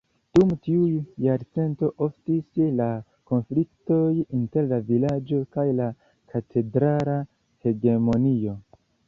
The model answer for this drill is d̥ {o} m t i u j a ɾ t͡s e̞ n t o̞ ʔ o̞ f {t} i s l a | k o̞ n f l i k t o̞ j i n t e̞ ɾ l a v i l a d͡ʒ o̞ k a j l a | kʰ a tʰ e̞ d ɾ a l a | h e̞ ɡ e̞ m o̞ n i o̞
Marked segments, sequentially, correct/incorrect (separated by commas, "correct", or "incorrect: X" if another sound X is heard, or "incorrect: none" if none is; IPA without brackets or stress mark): incorrect: u, correct